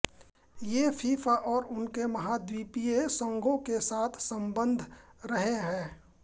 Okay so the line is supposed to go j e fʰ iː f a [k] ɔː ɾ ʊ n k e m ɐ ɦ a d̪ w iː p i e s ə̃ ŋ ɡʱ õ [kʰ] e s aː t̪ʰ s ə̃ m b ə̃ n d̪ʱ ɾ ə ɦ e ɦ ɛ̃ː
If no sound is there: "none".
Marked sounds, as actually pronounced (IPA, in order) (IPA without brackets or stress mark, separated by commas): ʔ, k